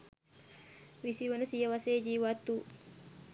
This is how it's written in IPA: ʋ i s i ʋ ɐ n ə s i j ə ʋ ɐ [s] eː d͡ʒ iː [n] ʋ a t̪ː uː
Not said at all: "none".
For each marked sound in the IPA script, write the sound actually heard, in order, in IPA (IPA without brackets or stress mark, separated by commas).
s, none